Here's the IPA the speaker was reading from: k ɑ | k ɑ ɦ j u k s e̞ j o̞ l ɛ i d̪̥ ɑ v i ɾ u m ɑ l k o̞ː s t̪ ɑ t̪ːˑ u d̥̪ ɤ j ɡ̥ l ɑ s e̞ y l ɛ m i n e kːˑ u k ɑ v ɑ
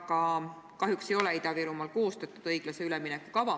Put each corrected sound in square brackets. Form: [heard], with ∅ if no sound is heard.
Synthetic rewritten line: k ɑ | k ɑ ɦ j u k s e̞ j o̞ l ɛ i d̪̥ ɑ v i ɾ u m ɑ l k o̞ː s t̪ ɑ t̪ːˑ u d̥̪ ɤ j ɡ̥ l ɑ s e̞ y l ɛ m i n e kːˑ u k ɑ v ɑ

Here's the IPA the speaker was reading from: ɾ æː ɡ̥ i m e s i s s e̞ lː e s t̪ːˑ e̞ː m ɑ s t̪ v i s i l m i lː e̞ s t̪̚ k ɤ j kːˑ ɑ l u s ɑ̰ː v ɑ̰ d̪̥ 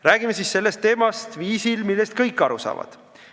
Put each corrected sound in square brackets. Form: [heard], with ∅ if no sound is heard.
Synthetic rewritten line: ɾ æː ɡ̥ i m e s i s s e̞ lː e s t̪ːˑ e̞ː m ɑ s t̪ v [iː] s i l m i lː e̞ s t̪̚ k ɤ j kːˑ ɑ [ɾ] u s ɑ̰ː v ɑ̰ d̪̥

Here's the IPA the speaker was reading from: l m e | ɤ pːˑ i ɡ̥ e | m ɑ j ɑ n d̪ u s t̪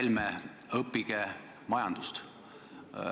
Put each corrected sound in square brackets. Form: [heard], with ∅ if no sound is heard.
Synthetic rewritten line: l m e | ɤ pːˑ i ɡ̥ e | m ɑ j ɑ n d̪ u s t̪

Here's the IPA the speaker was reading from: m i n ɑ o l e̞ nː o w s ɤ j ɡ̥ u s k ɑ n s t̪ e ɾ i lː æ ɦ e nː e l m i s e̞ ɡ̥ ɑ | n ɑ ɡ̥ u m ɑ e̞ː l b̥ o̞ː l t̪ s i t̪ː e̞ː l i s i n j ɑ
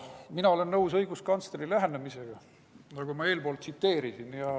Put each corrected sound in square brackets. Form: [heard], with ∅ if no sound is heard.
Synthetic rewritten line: m i n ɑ o l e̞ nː [ɤ] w s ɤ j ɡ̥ u s k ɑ n s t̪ e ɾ i [l] æ ɦ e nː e [∅] m i s e̞ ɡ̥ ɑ | n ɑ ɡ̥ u m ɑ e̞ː l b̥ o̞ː l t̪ s i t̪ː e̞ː [ɾ] i s i n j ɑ

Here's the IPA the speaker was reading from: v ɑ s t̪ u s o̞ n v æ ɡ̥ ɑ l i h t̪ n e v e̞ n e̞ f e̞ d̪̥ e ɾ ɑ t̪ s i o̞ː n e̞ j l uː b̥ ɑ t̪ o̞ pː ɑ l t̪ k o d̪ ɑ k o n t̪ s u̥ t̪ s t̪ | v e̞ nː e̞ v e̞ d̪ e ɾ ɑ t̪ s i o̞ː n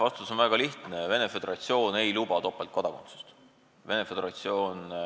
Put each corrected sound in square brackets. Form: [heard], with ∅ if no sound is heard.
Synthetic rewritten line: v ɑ s t̪ u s o̞ n v æ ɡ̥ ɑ l i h t̪ n e v e̞ n e̞ f e̞ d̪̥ e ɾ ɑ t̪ s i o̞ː n e̞ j l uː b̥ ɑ t̪ o̞ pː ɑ l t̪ k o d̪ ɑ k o n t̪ s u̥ [∅] s t̪ | v e̞ [n] e̞ [f] e̞ d̪ e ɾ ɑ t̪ s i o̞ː n

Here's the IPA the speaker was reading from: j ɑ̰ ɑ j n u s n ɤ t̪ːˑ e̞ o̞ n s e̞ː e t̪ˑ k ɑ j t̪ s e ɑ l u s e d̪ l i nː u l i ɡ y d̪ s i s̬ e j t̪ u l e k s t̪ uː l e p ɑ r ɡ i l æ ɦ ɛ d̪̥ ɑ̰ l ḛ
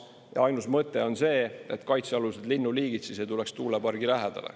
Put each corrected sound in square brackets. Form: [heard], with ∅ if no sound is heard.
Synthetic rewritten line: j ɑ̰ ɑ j n u s [m] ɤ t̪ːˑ e̞ o̞ n s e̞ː e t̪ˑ k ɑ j t̪ s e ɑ l u s e d̪ l i nː u l [iː] ɡ [i] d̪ s i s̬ e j t̪ u l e k s t̪ uː l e p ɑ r ɡ i l æ ɦ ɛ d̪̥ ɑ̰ l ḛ

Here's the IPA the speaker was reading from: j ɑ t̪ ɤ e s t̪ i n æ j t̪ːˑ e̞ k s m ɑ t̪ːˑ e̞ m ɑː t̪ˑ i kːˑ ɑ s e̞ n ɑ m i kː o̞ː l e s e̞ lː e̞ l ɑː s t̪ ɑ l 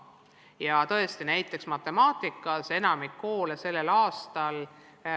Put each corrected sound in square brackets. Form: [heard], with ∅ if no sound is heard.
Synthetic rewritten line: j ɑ t̪ ɤ e s t̪ i n æ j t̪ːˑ e̞ k s m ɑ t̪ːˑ e̞ m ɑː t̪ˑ i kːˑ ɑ s e̞ n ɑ m i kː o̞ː l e s e̞ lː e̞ l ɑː s t̪ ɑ l

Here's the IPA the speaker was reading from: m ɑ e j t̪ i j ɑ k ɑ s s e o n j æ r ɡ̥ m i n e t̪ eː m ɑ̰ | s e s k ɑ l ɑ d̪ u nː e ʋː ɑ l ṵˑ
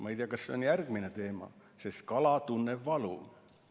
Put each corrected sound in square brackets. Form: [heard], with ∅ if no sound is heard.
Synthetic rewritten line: m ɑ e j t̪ i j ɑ k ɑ s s e o n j æ r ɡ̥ m i n e t̪ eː m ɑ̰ | s e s k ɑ l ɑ [t̪] u nː e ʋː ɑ l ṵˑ

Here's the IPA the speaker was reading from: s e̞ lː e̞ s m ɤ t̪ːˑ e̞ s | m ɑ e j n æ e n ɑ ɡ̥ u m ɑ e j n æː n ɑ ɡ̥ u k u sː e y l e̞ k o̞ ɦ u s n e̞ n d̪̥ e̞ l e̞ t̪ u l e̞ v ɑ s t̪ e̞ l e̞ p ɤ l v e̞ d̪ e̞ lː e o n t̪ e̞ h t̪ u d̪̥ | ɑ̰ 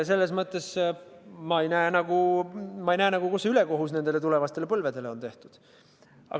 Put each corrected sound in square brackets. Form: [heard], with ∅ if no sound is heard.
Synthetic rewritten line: s e̞ lː e̞ s m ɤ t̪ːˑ e̞ s | m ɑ e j n æ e n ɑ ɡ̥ u m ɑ e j n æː n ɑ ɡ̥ u k u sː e y l e̞ k o̞ ɦ u s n e̞ n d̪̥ e̞ l e̞ t̪ u l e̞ v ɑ s t̪ e̞ l e̞ p ɤ l v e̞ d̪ e̞ [l] e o n t̪ e̞ h t̪ u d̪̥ | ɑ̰

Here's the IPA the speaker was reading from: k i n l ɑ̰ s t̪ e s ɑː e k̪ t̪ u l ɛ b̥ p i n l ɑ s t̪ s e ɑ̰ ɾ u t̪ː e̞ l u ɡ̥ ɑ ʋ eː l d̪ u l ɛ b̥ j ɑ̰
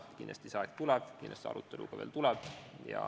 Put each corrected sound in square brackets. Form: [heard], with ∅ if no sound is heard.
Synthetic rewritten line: k i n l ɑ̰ s t̪ [i] s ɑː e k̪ t̪ u l ɛ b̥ [k] i n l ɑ s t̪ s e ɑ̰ ɾ u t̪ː e̞ l u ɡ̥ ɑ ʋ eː l [t̪] u l ɛ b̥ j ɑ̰

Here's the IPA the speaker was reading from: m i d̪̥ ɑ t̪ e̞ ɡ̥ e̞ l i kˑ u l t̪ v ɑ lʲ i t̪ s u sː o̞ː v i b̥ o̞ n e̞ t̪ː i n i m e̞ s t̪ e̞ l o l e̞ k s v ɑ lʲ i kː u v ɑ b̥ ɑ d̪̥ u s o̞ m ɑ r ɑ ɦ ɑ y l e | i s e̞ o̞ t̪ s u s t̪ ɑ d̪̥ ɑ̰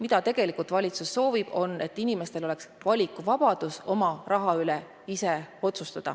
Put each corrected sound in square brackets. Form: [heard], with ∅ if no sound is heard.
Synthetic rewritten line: m i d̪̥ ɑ t̪ e̞ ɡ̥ e̞ l i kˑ u l t̪ v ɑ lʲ i t̪ s u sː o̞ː v i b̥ o̞ n e̞ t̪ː i n i m e̞ s t̪ e̞ l o l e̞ k s v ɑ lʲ i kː u v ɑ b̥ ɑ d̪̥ u s o̞ m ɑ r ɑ ɦ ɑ y l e | i s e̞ o̞ t̪ s u s t̪ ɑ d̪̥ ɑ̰

